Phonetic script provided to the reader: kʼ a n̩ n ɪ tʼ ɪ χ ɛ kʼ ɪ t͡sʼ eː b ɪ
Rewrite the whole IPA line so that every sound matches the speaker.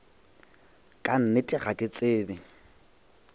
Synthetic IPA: kʼ a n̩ n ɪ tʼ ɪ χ a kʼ ɪ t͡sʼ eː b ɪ